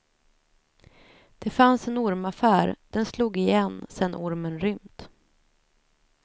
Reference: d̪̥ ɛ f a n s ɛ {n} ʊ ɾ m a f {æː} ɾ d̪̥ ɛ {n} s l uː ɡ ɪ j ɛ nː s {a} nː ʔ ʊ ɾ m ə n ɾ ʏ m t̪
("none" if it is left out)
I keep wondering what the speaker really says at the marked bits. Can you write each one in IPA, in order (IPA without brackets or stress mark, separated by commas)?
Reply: n, æː, n, ɛ